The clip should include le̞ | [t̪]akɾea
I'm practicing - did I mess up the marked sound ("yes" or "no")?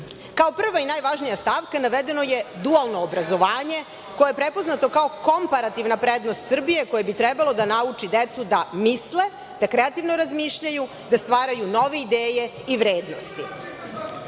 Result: yes